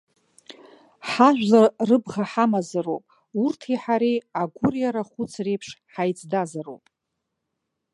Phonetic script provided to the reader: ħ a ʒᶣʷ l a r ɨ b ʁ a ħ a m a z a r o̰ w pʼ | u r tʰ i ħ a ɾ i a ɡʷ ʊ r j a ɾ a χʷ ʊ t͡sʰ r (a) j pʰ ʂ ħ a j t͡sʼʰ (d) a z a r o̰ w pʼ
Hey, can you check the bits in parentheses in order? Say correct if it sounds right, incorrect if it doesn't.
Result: incorrect: e, correct

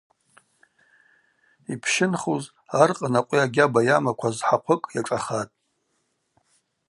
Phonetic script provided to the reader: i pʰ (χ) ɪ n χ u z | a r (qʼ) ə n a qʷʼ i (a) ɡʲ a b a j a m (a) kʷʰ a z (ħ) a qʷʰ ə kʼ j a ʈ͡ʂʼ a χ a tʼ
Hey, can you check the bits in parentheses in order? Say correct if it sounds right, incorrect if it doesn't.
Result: incorrect: ʃ, correct, correct, correct, correct

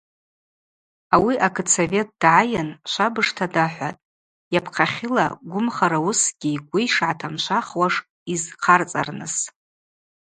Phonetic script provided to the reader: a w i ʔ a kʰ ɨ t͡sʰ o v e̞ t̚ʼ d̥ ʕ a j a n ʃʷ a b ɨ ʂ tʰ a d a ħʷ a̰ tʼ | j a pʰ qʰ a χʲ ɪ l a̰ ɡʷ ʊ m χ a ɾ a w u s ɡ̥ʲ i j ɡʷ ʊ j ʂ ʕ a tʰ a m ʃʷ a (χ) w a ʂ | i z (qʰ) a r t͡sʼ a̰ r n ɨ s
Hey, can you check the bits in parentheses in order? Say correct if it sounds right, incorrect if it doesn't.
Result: correct, correct

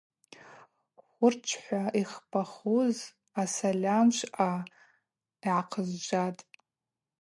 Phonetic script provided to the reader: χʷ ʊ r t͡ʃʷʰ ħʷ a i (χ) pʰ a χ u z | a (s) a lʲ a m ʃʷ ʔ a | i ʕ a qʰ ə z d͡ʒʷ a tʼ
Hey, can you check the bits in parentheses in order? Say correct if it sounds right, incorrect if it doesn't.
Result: correct, correct

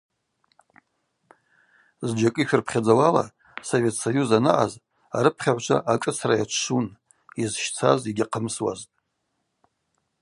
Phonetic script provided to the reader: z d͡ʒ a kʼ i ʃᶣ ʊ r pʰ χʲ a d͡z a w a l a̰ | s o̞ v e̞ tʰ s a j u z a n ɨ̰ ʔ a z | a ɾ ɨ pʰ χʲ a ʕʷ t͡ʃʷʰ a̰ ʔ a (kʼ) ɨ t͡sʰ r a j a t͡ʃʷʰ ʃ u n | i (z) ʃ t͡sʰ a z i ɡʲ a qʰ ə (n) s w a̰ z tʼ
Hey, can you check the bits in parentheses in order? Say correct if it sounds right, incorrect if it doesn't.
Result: correct, correct, incorrect: m

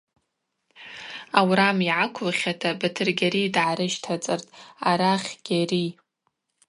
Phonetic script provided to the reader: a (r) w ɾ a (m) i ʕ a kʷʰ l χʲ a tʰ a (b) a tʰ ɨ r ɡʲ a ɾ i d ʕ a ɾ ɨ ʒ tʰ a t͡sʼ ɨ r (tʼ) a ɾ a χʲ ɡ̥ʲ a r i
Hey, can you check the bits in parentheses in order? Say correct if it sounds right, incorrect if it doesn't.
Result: incorrect: none, correct, correct, correct

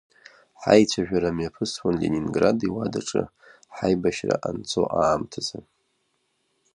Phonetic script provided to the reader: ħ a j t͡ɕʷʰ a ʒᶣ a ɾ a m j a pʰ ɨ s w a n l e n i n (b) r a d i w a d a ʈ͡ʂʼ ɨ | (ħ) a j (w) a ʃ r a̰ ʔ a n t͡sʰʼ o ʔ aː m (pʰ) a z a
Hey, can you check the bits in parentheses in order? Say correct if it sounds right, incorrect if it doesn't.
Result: incorrect: ɡ, correct, incorrect: b, incorrect: tʰ

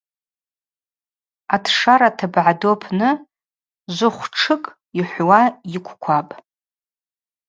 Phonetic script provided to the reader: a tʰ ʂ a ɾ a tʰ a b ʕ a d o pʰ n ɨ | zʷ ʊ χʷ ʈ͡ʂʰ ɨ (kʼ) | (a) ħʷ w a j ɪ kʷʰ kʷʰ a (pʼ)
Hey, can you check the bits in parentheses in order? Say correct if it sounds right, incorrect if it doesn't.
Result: correct, incorrect: i, correct

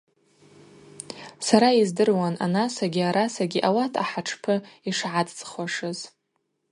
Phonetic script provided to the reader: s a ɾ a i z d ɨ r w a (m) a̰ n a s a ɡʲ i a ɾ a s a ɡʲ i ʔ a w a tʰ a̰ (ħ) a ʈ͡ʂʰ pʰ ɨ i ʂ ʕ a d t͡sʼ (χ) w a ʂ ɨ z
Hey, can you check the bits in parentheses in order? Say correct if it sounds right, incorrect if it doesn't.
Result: incorrect: n, correct, correct

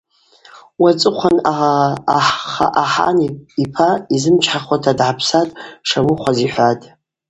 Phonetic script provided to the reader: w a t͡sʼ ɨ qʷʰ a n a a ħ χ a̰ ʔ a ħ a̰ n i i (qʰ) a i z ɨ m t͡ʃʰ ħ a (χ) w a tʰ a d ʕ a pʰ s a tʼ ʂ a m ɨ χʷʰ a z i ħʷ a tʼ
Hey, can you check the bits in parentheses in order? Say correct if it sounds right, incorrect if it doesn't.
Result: incorrect: pʰ, correct

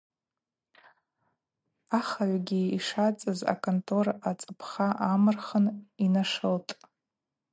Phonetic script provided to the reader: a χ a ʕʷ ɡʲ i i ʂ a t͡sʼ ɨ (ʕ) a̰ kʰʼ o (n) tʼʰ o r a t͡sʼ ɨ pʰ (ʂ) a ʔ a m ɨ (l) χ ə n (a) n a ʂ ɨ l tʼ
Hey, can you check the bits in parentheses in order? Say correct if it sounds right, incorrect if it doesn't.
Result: incorrect: z, correct, incorrect: χ, incorrect: r, incorrect: i

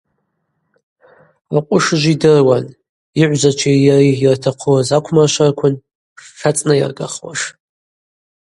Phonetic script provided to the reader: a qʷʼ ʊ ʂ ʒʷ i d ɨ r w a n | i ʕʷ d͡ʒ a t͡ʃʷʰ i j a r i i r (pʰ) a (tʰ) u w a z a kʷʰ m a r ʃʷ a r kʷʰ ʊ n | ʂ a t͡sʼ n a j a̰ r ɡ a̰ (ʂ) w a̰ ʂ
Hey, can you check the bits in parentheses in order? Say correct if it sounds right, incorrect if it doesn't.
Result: incorrect: tʰ, incorrect: qʰ, incorrect: χ

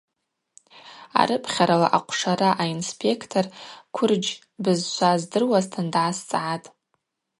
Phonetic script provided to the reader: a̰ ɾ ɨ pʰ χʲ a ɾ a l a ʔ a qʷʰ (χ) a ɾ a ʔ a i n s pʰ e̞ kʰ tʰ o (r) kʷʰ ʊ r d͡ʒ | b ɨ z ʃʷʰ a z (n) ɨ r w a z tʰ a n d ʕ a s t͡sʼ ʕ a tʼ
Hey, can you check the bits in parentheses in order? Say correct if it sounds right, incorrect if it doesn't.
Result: incorrect: ʂ, correct, incorrect: d

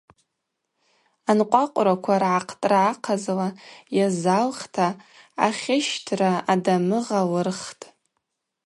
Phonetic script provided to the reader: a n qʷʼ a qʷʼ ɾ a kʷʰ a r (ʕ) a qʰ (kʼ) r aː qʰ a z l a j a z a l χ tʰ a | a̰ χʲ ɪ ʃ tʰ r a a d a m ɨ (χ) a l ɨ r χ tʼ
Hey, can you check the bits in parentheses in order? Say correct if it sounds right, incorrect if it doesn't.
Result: correct, incorrect: tʼ, incorrect: ʁ

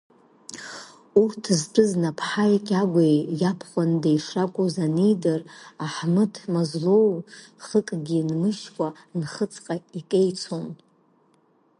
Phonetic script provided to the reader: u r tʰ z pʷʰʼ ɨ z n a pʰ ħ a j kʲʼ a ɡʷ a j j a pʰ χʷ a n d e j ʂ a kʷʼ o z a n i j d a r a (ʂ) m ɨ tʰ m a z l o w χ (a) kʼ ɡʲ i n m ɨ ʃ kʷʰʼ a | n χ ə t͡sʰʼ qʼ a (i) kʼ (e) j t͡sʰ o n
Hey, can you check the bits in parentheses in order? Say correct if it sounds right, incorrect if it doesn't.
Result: incorrect: ħ, incorrect: ə, correct, correct

